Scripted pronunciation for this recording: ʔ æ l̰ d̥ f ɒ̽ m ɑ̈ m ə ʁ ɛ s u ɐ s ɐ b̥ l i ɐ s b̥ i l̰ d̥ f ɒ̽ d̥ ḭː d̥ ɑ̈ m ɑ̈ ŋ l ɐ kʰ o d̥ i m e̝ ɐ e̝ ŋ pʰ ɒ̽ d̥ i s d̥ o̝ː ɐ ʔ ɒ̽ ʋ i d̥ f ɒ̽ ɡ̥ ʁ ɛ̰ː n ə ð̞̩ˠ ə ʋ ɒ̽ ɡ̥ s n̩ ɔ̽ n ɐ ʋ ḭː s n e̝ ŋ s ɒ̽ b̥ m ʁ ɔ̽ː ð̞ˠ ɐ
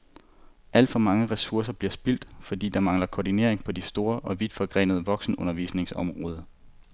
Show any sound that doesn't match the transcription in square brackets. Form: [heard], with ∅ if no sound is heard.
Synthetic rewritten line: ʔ æ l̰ d̥ f ɒ̽ m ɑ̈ [ŋ] ə ʁ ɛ s u ɐ s ɐ b̥ l i ɐ s b̥ i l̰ d̥ f ɒ̽ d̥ ḭː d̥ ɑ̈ m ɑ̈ ŋ l ɐ kʰ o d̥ i [n] e̝ ɐ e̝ ŋ pʰ ɒ̽ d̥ i s d̥ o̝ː ɐ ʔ ɒ̽ ʋ i d̥ f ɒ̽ ɡ̥ ʁ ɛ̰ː n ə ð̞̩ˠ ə ʋ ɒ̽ ɡ̥ s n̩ ɔ̽ n ɐ ʋ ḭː s n e̝ ŋ s ɒ̽ [∅] m ʁ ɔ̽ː ð̞ˠ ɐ